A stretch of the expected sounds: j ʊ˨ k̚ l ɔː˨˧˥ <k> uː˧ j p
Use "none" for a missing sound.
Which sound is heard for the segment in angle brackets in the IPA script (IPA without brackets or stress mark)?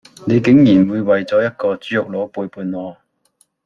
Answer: p